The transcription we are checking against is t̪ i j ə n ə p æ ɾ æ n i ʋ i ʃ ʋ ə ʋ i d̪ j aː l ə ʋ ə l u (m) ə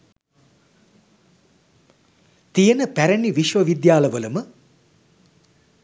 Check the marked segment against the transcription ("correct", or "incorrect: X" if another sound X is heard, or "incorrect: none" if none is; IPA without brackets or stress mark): correct